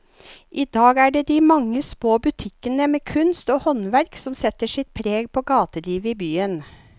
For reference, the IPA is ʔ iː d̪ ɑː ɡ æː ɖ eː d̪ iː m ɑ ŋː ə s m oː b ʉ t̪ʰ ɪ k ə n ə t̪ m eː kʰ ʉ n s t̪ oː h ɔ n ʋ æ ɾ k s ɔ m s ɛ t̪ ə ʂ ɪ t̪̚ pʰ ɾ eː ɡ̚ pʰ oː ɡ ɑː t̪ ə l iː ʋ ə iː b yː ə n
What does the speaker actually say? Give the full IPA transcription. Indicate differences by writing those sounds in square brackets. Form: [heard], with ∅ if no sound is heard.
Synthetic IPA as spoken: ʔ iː d̪ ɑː ɡ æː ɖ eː d̪ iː m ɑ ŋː ə s m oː b ʉ t̪ʰ ɪ k ə n ə [∅] m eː kʰ ʉ n s t̪ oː h ɔ n ʋ æ ɾ k s ɔ m s ɛ t̪ ə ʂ ɪ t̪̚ pʰ ɾ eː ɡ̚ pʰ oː ɡ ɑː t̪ ə l iː ʋ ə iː b yː ə n